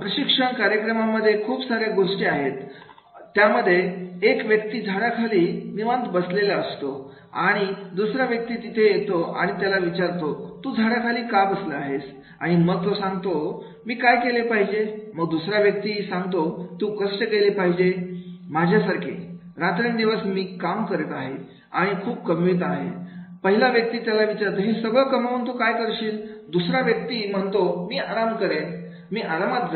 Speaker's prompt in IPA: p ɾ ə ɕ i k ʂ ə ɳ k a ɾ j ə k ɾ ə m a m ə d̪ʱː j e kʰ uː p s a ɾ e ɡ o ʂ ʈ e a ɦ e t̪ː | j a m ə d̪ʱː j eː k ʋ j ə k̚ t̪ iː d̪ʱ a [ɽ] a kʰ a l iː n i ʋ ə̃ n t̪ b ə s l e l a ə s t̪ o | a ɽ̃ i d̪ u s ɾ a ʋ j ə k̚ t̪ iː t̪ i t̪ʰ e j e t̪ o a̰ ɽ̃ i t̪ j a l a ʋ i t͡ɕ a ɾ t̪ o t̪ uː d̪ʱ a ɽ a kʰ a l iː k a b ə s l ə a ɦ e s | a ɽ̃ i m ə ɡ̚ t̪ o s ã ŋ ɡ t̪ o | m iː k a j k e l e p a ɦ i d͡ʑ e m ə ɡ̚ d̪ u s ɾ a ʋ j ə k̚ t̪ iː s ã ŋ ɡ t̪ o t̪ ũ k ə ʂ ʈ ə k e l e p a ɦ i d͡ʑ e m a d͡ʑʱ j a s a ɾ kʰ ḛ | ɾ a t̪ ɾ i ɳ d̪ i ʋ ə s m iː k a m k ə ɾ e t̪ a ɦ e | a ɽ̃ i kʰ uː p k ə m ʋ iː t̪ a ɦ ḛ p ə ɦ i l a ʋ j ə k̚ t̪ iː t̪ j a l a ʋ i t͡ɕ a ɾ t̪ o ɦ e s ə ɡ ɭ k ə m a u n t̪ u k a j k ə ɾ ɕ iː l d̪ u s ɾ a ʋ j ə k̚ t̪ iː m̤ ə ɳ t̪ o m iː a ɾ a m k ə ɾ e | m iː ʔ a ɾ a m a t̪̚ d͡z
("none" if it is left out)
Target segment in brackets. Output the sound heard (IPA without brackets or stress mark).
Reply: ɽ